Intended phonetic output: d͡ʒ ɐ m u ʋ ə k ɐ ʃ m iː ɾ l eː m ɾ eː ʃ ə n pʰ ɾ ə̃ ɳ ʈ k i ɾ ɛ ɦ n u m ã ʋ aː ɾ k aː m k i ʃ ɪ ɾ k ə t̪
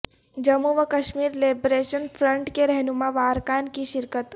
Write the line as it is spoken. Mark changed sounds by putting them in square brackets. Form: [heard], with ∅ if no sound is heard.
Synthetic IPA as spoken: d͡ʒ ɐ m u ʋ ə k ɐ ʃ m iː ɾ l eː [b] ɾ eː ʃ ə n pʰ ɾ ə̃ ɳ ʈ k [e] ɾ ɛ ɦ n u m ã ʋ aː ɾ k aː [n] k i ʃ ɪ ɾ k ə t̪